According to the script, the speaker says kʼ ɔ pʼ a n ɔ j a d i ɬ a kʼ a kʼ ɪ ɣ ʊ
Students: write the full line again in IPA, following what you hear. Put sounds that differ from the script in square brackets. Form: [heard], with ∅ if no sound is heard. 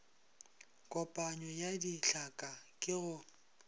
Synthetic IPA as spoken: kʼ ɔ pʼ a [ɲ] ɔ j a d i ɬ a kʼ a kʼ ɪ ɣ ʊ